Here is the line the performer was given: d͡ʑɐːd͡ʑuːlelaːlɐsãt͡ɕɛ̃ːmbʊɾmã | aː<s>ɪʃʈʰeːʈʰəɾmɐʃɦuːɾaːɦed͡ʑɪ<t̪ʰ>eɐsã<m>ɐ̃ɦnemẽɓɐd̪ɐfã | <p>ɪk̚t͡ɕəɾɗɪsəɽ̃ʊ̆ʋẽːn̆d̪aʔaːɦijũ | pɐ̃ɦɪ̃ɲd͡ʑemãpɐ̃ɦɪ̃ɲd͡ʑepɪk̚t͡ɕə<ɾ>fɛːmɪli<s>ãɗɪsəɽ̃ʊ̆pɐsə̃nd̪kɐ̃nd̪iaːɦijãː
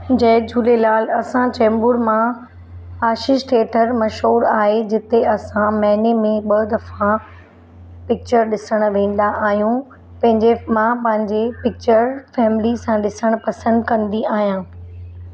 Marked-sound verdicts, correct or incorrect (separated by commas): incorrect, incorrect, correct, correct, correct, correct